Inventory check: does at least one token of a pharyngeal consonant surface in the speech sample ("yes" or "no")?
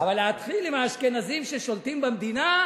no